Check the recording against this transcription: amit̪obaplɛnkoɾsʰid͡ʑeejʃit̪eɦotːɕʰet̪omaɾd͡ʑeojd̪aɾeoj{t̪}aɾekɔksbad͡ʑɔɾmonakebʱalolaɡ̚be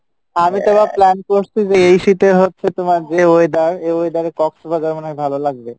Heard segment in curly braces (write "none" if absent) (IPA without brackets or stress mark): d̪